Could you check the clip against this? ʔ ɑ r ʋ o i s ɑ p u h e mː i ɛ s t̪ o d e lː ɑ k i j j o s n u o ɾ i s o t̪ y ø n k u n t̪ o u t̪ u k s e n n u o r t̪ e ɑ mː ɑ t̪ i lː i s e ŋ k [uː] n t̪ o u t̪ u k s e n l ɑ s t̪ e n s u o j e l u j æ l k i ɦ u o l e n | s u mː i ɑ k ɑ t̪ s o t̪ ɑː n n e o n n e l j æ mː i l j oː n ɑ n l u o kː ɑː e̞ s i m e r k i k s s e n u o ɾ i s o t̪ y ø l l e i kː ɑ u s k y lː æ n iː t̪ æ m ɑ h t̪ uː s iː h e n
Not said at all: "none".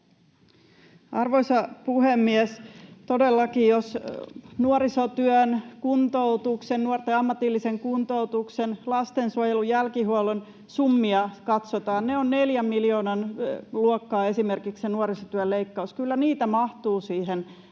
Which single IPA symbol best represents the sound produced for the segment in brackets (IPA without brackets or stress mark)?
u